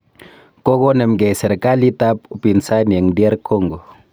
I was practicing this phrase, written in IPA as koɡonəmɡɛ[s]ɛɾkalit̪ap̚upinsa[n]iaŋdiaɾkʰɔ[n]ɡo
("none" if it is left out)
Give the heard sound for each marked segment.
s, n, ŋ

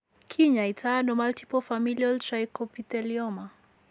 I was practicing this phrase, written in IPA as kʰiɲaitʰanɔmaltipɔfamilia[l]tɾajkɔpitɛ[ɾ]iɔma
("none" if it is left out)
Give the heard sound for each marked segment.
l, l

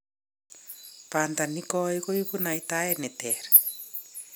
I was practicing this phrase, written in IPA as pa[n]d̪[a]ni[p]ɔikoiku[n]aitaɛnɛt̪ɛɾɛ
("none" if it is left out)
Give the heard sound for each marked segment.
n, a, k, n

